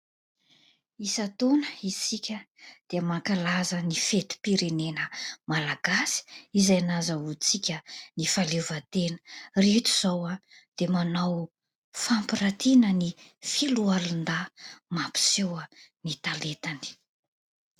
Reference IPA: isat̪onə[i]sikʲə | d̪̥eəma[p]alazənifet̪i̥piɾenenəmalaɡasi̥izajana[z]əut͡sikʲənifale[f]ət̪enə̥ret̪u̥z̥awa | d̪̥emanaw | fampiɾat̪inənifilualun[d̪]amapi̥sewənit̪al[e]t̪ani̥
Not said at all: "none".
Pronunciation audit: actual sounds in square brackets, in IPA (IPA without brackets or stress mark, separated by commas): i, k, z, v, d̪, e